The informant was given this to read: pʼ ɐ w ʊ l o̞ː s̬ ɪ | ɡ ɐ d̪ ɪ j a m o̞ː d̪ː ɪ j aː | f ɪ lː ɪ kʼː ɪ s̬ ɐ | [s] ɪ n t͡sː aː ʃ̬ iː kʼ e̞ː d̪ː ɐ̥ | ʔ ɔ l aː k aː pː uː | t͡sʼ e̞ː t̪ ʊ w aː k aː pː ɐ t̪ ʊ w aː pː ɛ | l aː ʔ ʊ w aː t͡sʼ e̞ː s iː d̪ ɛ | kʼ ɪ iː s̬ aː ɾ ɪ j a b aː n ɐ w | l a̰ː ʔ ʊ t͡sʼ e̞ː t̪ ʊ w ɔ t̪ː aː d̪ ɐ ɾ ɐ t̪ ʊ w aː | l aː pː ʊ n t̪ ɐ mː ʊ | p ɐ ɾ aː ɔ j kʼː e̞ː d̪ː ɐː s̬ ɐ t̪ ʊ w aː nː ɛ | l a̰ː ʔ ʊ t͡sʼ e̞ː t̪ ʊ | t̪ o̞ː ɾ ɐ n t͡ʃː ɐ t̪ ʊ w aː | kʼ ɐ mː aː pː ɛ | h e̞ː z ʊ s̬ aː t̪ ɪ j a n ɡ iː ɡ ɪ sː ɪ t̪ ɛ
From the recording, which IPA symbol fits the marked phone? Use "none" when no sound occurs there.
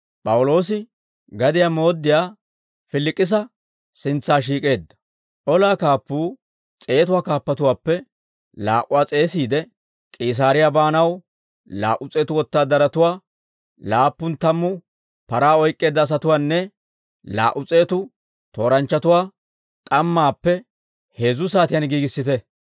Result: s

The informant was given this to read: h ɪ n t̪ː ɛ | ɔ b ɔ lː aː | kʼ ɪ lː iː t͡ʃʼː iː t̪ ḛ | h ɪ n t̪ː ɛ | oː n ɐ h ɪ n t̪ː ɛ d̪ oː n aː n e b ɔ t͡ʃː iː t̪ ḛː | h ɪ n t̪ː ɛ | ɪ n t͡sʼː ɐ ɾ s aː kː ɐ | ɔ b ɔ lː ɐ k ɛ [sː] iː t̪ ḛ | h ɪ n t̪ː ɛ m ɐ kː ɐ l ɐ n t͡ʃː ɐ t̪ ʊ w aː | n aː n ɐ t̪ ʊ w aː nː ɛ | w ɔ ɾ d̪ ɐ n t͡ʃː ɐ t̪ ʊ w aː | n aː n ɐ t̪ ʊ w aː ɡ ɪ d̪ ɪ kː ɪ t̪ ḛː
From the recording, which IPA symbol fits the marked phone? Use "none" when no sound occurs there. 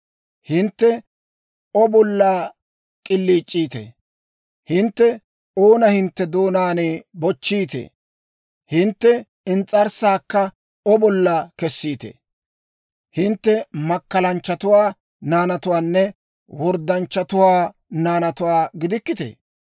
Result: sː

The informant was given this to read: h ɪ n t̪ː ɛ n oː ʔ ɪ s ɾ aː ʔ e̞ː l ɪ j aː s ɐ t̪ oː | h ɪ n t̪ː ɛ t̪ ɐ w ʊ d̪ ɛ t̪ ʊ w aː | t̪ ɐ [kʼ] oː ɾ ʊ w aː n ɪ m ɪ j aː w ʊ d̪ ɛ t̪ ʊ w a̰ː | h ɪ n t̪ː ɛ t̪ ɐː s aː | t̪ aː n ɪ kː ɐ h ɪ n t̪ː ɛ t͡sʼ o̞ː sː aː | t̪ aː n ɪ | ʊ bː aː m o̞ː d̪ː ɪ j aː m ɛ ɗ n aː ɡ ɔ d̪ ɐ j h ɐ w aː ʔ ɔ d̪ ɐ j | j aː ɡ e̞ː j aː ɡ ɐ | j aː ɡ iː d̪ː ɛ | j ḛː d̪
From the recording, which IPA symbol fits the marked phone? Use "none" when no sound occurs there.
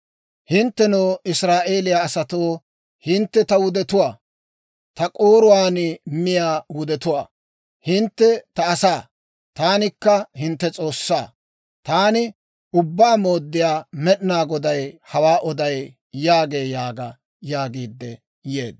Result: kʼ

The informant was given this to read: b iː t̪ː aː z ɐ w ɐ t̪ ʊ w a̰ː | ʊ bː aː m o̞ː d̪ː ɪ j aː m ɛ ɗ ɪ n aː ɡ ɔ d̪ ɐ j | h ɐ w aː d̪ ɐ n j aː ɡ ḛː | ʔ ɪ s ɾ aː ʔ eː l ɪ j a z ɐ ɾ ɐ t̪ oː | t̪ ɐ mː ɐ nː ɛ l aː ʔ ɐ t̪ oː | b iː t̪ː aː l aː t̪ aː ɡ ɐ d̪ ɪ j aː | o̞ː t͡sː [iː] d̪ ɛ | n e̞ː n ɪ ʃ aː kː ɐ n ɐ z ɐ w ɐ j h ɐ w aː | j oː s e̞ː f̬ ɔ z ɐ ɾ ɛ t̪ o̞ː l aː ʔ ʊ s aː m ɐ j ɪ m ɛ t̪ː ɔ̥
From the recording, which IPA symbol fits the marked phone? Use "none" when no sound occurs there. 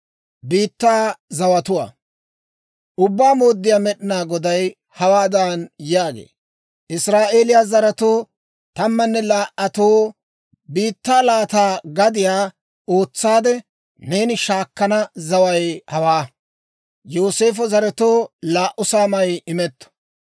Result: aː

